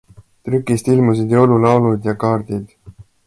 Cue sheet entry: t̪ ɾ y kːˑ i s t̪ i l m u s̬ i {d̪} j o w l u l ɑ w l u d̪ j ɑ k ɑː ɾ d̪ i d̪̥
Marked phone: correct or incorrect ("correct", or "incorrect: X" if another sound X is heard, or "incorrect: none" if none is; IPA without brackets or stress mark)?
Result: correct